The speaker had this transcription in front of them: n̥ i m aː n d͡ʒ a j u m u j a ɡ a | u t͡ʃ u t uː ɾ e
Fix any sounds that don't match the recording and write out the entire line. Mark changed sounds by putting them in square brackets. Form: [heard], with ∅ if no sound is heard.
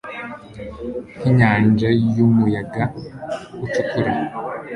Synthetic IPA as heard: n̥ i [ɲ] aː n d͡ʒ a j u m u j a ɡ a | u t͡ʃ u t [u] ɾ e